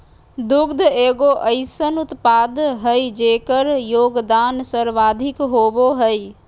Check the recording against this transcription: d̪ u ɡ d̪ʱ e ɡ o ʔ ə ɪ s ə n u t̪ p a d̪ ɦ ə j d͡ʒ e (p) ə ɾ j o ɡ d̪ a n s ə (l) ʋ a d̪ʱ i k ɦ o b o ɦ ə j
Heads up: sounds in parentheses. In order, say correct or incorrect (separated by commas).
incorrect, incorrect